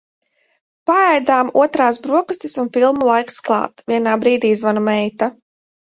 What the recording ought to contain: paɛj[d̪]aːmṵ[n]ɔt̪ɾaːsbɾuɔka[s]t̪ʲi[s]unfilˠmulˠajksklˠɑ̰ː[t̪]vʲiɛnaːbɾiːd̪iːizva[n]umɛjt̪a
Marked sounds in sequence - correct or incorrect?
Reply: correct, incorrect: none, correct, correct, correct, correct

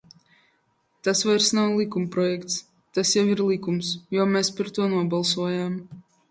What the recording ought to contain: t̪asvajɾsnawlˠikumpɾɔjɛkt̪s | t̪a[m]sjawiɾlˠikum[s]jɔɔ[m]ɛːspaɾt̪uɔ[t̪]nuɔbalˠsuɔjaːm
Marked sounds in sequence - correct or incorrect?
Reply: incorrect: none, correct, correct, incorrect: none

